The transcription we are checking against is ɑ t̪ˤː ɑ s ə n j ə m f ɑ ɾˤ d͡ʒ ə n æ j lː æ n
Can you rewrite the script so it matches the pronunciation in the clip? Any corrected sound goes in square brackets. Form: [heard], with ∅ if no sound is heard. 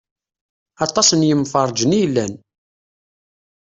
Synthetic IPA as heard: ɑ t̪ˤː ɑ s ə n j ə m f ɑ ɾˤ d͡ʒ ə n [i] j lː æ n